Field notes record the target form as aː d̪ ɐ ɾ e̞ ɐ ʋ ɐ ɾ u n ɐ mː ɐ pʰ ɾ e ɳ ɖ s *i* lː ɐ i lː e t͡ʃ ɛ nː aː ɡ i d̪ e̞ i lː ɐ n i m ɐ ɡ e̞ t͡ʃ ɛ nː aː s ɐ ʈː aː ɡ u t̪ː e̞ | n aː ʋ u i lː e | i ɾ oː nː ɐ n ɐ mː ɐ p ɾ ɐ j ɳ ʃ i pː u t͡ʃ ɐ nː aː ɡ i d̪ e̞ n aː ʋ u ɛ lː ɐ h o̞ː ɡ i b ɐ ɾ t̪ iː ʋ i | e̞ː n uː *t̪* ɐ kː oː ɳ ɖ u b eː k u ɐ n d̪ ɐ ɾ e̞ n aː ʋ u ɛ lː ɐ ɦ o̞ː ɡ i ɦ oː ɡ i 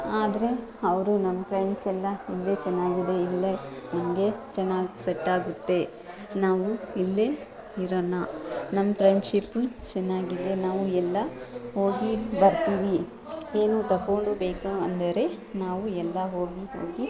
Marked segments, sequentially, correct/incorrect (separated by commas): incorrect, correct